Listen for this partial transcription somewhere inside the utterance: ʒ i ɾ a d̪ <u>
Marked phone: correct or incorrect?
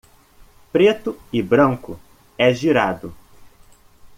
incorrect